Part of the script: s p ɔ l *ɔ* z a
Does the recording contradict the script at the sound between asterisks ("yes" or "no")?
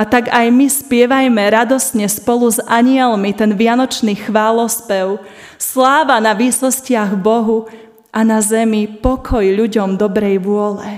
yes